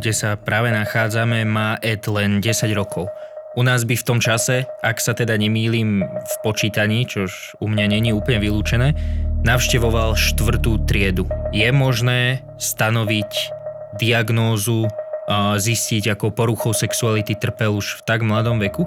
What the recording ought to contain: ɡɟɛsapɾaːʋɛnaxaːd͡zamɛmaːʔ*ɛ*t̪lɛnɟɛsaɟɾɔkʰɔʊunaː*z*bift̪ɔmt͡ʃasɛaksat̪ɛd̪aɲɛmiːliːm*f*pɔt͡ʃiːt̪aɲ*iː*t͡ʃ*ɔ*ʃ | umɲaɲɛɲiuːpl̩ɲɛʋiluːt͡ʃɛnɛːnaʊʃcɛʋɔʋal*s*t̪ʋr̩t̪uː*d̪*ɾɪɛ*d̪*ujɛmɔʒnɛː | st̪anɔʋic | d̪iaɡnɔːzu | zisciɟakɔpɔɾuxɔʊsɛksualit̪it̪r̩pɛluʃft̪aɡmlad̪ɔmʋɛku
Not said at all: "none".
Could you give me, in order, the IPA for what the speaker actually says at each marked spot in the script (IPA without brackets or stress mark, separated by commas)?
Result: ɛ, z, f, iː, ɔ, ʃ, t̪, d̪